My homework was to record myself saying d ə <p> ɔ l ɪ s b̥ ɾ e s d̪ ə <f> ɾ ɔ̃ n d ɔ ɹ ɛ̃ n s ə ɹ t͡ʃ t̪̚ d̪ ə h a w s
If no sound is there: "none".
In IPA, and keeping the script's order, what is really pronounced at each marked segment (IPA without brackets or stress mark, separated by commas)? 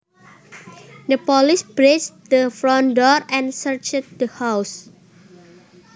p, f